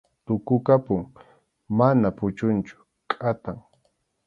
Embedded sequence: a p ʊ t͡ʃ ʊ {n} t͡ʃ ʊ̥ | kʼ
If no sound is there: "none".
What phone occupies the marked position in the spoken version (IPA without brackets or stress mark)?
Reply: n